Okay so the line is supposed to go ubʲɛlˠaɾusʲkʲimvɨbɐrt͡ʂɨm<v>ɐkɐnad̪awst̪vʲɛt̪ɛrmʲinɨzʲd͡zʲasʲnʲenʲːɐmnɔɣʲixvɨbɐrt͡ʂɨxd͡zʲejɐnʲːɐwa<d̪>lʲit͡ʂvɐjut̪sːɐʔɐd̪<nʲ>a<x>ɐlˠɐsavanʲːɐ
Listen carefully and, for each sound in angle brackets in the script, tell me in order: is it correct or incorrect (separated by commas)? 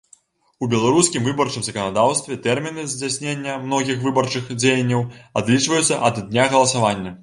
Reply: incorrect, correct, correct, incorrect